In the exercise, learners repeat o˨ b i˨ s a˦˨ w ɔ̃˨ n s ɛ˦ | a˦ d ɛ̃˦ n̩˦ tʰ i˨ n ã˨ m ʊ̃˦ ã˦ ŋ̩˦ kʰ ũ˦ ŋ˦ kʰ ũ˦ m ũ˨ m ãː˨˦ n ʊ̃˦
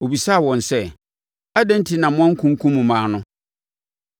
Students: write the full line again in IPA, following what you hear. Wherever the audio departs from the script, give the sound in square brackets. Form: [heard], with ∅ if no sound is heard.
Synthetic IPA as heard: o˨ b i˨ s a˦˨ w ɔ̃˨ n s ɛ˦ | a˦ d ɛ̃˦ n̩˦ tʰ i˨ n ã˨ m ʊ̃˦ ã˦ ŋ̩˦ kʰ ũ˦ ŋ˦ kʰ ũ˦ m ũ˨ m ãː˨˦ n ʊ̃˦

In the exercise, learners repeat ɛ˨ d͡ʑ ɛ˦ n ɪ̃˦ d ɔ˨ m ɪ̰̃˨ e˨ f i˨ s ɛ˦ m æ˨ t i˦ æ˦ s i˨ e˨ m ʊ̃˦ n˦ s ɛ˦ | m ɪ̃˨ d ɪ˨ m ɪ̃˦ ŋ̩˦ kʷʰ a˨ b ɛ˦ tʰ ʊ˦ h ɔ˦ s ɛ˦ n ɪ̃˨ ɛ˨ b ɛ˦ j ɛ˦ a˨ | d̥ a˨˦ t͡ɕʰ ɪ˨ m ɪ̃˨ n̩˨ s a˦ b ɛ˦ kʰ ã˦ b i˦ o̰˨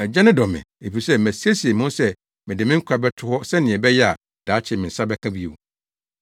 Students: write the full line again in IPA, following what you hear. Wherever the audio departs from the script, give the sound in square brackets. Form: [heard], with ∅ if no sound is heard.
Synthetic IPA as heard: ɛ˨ d͡ʑ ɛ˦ n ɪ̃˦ d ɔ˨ m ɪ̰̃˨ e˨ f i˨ s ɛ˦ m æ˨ [s] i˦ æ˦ s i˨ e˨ m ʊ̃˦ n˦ s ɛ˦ | m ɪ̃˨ d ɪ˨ m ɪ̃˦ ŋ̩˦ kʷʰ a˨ b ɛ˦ tʰ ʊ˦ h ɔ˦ s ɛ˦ n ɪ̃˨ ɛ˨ b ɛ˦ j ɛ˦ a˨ | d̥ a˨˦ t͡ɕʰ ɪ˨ m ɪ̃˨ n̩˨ s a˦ b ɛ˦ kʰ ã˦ b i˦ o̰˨

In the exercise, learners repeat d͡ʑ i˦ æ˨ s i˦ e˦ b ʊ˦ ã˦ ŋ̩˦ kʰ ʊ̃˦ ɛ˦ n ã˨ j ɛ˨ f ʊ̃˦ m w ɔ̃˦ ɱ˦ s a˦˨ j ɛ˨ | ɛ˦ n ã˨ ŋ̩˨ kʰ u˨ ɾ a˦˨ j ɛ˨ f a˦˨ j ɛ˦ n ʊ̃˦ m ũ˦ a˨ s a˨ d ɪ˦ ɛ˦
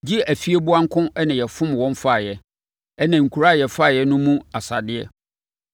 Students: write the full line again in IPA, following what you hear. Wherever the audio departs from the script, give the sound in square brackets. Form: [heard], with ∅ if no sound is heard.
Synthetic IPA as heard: d͡ʑ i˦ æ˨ [f] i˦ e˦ b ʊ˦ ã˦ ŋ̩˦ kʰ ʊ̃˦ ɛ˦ n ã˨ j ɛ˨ f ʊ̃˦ m w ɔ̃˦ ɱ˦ [f] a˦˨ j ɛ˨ | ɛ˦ n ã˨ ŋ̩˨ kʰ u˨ ɾ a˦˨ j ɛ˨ f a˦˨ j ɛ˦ n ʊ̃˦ m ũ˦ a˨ s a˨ d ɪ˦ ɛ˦

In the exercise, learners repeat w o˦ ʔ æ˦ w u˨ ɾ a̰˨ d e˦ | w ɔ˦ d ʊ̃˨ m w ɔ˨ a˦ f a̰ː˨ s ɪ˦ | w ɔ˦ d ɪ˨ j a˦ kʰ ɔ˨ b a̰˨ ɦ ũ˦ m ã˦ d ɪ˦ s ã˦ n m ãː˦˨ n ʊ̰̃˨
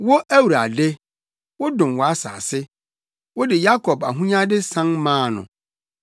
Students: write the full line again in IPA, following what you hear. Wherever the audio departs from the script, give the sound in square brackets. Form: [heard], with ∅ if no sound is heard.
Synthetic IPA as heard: w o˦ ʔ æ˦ w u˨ ɾ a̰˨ d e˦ | w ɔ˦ d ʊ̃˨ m w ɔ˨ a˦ [s] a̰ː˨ s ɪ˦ | w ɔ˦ d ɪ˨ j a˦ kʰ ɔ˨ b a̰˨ ɦ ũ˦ [ɲ] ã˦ d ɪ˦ s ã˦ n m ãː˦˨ n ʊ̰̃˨

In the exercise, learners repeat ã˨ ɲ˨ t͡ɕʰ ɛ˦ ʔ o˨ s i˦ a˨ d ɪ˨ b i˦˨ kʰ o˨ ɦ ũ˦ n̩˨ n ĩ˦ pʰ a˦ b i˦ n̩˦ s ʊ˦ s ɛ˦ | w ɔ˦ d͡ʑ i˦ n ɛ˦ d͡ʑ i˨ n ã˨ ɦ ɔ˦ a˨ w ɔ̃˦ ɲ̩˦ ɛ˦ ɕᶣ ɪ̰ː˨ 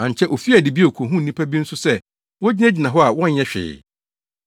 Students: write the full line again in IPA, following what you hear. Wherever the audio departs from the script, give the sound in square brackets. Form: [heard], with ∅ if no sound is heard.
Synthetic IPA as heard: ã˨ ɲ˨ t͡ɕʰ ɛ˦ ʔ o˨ [f] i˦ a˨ d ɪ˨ b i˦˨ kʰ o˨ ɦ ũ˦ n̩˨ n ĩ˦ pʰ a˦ b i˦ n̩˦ s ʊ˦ s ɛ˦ | w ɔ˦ d͡ʑ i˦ n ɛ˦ d͡ʑ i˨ n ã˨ ɦ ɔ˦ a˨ w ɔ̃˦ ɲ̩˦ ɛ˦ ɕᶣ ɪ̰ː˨

